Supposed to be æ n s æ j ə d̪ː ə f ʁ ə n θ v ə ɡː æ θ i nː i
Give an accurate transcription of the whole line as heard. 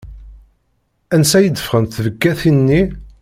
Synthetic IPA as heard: æ n s æ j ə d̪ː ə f ʁ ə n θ v ə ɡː æ θ i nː i